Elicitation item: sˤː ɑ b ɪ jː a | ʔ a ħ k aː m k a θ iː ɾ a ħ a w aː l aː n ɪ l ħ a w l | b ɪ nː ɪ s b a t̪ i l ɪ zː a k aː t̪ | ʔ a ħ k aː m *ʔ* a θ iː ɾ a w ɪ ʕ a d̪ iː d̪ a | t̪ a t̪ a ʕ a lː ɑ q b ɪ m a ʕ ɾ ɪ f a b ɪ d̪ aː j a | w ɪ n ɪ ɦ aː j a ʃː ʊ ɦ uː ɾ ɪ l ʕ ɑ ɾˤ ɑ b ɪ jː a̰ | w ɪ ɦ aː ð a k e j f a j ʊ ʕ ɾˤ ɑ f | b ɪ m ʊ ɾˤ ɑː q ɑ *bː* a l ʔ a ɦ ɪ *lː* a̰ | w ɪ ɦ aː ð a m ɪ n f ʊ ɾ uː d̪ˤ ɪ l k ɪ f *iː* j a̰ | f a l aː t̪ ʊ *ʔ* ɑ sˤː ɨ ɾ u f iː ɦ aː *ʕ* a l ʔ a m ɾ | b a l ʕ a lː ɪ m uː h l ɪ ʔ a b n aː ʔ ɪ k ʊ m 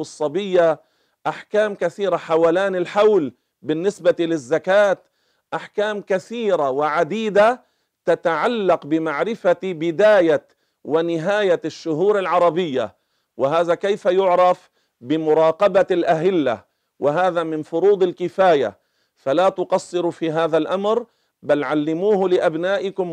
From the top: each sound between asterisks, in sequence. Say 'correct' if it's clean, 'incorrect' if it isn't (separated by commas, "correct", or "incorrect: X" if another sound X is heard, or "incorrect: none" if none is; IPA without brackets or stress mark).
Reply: incorrect: k, incorrect: b, correct, incorrect: aː, incorrect: q, incorrect: ð